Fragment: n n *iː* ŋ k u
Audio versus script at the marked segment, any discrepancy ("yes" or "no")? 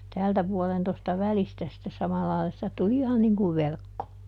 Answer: yes